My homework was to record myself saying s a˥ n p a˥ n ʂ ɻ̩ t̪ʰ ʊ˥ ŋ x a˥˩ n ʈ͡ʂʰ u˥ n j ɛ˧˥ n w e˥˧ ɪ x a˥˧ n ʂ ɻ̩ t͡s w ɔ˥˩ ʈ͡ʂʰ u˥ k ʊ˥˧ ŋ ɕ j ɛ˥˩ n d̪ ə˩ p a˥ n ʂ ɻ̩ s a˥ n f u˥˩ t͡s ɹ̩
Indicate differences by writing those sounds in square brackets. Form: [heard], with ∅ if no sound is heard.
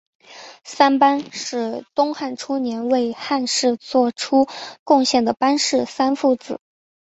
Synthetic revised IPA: s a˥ n p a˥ n ʂ ɻ̩ [t̪] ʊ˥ ŋ x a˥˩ n ʈ͡ʂʰ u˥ n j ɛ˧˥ n w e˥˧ ɪ x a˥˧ n ʂ ɻ̩ t͡s w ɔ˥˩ ʈ͡ʂʰ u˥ k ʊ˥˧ ŋ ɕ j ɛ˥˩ n d̪ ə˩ p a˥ n ʂ ɻ̩ s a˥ n f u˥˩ t͡s ɹ̩